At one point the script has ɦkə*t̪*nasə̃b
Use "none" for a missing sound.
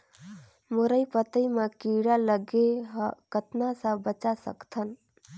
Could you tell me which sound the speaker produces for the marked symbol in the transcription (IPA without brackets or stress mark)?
t̪